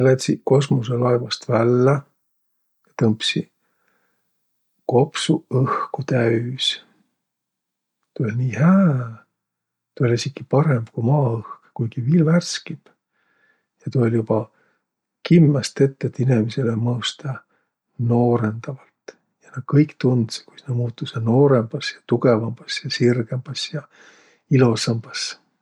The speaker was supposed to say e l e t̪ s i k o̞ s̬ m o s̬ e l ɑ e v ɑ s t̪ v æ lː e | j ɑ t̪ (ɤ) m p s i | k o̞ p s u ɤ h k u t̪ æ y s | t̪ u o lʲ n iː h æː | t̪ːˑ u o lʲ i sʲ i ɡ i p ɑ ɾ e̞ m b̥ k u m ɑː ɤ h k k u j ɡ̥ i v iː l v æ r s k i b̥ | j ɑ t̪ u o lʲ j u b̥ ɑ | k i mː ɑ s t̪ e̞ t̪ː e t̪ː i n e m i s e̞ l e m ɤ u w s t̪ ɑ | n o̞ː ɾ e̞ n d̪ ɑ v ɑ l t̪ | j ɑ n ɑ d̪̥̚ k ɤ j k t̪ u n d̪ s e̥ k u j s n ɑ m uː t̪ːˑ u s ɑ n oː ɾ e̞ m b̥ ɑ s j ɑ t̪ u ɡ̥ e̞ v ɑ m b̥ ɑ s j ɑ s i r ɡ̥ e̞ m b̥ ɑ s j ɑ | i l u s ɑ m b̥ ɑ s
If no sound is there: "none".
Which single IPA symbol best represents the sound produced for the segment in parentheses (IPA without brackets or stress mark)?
ɤ